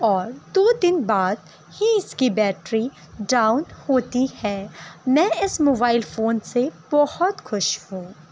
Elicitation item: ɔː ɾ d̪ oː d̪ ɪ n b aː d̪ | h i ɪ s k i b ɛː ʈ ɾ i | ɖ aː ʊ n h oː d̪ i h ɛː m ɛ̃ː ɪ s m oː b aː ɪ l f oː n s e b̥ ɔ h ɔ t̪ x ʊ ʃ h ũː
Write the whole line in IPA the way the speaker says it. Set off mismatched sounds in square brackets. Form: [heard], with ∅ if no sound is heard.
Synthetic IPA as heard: ɔː ɾ d̪ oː d̪ ɪ n b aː d̪ | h i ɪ s k i b ɛː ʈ ɾ i | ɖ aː ʊ n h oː [t̪] i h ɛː m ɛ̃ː ɪ s m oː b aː ɪ l f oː n s e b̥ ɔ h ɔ t̪ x ʊ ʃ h ũː